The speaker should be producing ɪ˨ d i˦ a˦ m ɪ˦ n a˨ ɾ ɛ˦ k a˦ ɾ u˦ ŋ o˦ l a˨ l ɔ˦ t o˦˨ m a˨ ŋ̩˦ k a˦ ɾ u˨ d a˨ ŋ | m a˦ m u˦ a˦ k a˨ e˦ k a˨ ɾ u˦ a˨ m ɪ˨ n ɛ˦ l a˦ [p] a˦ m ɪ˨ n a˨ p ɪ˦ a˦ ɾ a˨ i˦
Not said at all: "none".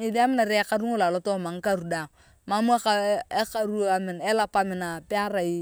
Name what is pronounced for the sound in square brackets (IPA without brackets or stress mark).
p